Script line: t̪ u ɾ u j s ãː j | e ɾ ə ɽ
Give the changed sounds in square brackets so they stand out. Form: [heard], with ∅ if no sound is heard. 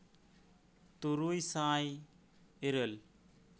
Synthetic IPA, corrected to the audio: t̪ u ɾ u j s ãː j | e ɾ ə [l]